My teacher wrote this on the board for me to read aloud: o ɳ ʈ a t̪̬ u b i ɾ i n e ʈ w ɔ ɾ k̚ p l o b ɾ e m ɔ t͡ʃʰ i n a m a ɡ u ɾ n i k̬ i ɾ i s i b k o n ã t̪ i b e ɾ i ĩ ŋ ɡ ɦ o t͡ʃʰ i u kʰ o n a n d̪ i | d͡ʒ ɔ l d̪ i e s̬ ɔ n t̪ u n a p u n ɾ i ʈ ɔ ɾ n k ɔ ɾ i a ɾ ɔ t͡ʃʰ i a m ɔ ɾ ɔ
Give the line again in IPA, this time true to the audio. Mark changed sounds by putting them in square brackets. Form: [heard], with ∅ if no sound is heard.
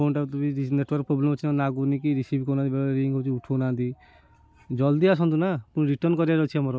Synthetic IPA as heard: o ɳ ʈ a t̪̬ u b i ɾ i n e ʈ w ɔ ɾ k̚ p [ɾ] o b [l] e m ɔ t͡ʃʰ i n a [n] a ɡ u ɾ n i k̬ i ɾ i s i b k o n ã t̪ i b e ɾ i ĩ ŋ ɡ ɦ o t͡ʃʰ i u [ʈʰ] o n a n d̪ i | d͡ʒ ɔ l d̪ i [a] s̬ ɔ n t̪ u n a p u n ɾ i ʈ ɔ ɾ n k ɔ ɾ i a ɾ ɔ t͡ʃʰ i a m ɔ ɾ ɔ